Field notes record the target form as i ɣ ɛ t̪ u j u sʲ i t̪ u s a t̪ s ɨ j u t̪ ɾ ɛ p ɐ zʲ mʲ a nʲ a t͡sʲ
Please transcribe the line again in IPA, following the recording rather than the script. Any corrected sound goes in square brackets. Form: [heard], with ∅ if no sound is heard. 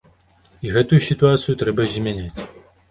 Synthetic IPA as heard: i ɣ ɛ t̪ u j u sʲ i t̪ u [∅] a t̪ s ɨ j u t̪ ɾ ɛ [b] ɐ zʲ mʲ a nʲ a t͡sʲ

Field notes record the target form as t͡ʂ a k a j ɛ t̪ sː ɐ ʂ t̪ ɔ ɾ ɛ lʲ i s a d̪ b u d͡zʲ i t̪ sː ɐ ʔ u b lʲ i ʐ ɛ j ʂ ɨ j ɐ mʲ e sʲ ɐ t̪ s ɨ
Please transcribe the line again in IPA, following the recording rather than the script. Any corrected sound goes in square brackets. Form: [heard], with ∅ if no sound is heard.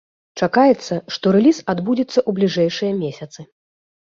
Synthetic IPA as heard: t͡ʂ a k a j ɛ t̪ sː ɐ ʂ t̪ ɔ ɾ ɛ lʲ i s a d̪ b u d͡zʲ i t̪ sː ɐ ʔ u b lʲ i ʐ ɛ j ʂ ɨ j ɐ mʲ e sʲ ɐ t̪ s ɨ

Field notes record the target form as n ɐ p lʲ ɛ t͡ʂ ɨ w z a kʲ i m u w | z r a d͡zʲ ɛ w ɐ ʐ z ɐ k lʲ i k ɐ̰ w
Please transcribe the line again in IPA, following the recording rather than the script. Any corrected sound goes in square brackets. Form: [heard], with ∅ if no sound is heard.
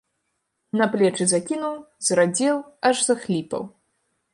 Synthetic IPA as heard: n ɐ p lʲ ɛ t͡ʂ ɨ [∅] z a kʲ i [n] u w | z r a d͡zʲ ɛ w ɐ ʐ z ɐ [x] lʲ i [p] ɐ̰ w

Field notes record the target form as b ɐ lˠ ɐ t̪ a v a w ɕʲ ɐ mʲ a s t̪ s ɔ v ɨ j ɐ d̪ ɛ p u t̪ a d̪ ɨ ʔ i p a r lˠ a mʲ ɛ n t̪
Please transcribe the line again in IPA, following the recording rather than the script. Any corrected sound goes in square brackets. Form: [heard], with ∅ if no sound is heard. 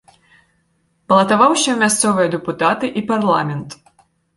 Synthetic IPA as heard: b ɐ lˠ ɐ t̪ a v a w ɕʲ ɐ mʲ a s t̪ s ɔ v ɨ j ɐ d̪ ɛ p u t̪ a [t̪] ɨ ʔ i p a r lˠ a mʲ ɛ n t̪

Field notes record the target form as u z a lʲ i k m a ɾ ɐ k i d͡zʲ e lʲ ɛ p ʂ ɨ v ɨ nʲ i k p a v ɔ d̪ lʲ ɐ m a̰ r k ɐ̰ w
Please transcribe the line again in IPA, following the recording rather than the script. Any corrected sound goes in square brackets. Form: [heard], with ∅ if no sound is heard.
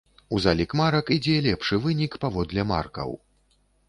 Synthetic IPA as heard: u z a lʲ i k m a ɾ ɐ k i d͡zʲ [ɛ] lʲ ɛ p ʂ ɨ v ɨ nʲ i k p a v ɔ d̪ lʲ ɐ m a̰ r k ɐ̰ w

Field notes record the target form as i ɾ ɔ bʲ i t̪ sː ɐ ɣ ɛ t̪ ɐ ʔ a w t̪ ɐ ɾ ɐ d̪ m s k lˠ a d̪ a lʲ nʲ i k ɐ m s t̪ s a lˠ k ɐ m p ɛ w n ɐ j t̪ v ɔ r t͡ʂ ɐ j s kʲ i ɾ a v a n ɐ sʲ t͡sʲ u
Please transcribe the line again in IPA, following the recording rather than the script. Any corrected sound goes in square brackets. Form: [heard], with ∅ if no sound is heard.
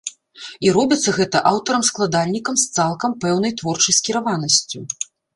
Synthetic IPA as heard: i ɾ ɔ bʲ i t̪ sː ɐ ɣ ɛ t̪ ɐ ʔ a w t̪ ɐ ɾ ɐ [∅] m s k lˠ a d̪ a lʲ nʲ i k ɐ m s t̪ s a lˠ k ɐ m p ɛ w n ɐ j t̪ v ɔ r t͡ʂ ɐ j s kʲ i ɾ a v a n ɐ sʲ t͡sʲ u

